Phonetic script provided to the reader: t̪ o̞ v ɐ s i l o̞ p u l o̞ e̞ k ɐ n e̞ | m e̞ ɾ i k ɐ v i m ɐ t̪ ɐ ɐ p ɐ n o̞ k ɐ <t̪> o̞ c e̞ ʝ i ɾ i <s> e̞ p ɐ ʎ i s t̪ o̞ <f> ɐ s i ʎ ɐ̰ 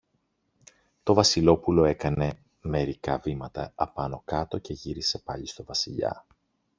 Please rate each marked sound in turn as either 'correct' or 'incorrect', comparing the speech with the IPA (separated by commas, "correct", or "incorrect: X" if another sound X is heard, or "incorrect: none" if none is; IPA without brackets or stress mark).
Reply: correct, correct, incorrect: v